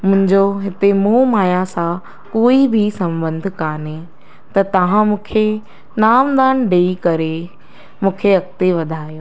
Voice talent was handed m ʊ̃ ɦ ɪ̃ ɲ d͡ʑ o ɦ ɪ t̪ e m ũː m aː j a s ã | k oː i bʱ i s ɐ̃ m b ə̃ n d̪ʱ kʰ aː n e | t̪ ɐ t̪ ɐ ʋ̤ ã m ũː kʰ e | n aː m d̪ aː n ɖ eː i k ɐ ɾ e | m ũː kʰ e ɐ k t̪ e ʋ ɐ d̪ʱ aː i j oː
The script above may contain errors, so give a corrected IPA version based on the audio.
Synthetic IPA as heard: m ʊ̃ ɦ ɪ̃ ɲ d͡ʑ o ɦ ɪ t̪ e m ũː m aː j a s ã | k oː i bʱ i s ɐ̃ m b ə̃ n d̪ʱ k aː n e | t̪ ɐ t̪ ɐ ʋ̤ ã m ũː kʰ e | n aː m d̪ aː n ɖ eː i k ɐ ɾ e | m ũː kʰ e ɐ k t̪ e ʋ ɐ d̪ʱ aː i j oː